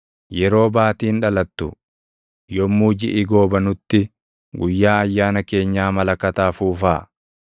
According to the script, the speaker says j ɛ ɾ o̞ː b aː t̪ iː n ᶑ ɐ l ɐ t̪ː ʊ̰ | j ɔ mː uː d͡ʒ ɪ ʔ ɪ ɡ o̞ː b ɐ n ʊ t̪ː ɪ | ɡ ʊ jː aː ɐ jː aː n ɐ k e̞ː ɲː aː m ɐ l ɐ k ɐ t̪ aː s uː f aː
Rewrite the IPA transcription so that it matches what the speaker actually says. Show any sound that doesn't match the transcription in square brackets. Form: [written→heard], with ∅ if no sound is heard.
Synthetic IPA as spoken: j ɛ ɾ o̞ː b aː t̪ iː n ᶑ ɐ l ɐ t̪ː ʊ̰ | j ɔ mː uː d͡ʒ ɪ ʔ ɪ ɡ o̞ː b ɐ n ʊ t̪ː ɪ | ɡ ʊ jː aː ɐ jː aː n ɐ k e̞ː ɲː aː m ɐ l ɐ k ɐ t̪ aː [s→f] uː f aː

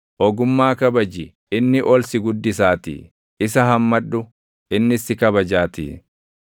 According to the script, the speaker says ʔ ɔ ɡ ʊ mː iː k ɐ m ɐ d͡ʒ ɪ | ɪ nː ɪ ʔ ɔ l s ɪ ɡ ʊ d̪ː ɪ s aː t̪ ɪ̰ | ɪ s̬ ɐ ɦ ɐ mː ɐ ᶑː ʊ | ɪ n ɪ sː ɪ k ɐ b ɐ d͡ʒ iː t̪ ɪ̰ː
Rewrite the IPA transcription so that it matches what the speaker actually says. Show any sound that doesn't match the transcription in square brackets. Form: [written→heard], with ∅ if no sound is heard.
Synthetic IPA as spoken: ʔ ɔ ɡ ʊ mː [iː→aː] k ɐ [m→b] ɐ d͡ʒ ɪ | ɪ nː ɪ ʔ ɔ l s ɪ ɡ ʊ d̪ː ɪ s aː t̪ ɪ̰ | ɪ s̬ ɐ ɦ ɐ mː ɐ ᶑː ʊ | ɪ [n→nː] ɪ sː ɪ k ɐ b ɐ d͡ʒ [iː→aː] t̪ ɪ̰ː

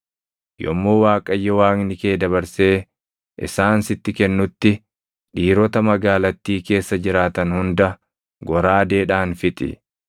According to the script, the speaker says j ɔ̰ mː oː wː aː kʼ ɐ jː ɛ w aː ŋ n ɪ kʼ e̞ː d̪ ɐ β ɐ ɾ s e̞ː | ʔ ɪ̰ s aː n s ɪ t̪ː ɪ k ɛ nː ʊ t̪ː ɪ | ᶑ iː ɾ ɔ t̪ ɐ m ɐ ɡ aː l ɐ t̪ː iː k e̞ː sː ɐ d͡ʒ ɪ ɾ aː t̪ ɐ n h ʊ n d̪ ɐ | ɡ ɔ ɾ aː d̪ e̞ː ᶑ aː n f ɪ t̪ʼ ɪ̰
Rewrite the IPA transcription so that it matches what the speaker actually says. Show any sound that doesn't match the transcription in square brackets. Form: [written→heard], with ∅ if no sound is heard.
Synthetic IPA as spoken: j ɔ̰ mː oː [wː→w] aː kʼ ɐ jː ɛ w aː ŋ n ɪ [kʼ→k] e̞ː d̪ ɐ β ɐ ɾ s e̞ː | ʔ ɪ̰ s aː n s ɪ t̪ː ɪ k ɛ nː ʊ t̪ː ɪ | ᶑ iː ɾ ɔ t̪ ɐ m ɐ ɡ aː l ɐ t̪ː iː k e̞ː sː ɐ d͡ʒ ɪ ɾ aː t̪ ɐ n h ʊ n d̪ ɐ | ɡ ɔ ɾ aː d̪ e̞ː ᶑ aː n f ɪ t̪ʼ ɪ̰

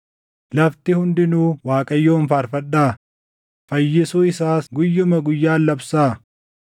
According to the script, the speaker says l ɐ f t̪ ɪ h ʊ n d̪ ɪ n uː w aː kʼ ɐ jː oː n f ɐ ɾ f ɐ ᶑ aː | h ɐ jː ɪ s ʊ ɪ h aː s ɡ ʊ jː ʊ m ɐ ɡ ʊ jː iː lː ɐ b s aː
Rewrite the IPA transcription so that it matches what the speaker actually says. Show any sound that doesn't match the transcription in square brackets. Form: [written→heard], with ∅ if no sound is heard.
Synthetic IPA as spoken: l ɐ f t̪ ɪ h ʊ n d̪ ɪ n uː w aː kʼ ɐ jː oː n f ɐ ɾ f ɐ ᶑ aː | [h→f] ɐ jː ɪ s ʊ ɪ [h→s] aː s ɡ ʊ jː ʊ m ɐ ɡ ʊ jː [iː→aː] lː ɐ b s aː

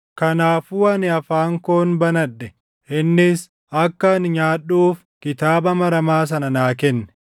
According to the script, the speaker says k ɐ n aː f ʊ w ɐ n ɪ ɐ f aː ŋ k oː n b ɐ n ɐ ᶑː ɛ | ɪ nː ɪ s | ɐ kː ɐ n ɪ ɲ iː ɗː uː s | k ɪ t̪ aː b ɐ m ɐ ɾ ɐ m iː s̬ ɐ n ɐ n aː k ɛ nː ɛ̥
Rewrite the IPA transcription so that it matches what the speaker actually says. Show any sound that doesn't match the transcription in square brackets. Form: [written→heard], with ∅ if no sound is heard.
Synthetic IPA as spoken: k ɐ n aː f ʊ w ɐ n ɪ ɐ f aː ŋ k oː n b ɐ n ɐ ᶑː ɛ | ɪ nː ɪ s | ɐ kː ɐ n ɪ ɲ [iː→aː] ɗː uː [s→f] | k ɪ t̪ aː b ɐ m ɐ ɾ ɐ m [iː→aː] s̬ ɐ n ɐ n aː k ɛ nː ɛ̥

